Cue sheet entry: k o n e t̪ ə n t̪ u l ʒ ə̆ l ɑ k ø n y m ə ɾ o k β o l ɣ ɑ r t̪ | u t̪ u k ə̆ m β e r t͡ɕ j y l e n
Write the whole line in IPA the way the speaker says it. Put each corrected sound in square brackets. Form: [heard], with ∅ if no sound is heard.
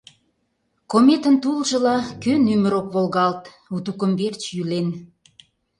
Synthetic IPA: k o [m] e t̪ ə n t̪ u l ʒ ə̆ l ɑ k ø n y m ə ɾ o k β o l ɣ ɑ [l] t̪ | u t̪ u k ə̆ m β e r t͡ɕ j y l e n